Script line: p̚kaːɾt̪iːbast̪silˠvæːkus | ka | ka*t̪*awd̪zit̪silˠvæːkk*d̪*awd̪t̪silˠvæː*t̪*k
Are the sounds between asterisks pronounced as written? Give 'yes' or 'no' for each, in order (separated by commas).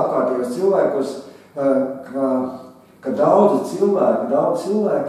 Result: no, yes, no